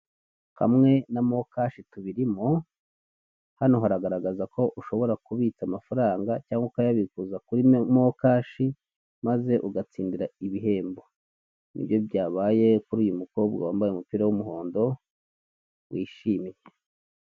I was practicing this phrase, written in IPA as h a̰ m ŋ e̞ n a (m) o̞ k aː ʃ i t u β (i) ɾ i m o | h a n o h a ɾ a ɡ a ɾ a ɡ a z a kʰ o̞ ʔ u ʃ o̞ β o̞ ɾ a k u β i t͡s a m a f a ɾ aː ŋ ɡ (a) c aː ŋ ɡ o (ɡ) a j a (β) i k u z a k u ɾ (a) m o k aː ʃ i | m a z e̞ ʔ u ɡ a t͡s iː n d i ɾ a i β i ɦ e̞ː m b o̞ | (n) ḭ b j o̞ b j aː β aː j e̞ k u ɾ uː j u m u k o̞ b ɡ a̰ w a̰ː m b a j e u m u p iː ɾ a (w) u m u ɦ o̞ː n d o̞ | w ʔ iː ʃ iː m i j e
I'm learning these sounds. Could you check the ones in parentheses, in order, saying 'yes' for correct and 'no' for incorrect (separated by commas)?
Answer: yes, yes, yes, no, yes, no, yes, yes